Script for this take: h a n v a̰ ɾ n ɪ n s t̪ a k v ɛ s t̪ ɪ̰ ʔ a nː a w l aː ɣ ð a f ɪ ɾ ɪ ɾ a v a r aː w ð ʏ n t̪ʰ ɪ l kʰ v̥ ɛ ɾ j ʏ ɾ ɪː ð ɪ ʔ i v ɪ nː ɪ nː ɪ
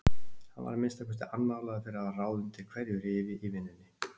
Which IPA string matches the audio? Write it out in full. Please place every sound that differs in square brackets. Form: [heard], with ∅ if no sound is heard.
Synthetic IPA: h a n v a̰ ɾ [m] ɪ n s t̪ a k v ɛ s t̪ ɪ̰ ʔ a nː a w l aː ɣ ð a f ɪ ɾ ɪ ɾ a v a r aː w ð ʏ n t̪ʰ ɪ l kʰ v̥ ɛ ɾ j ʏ ɾ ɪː [v] ɪ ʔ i v ɪ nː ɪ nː ɪ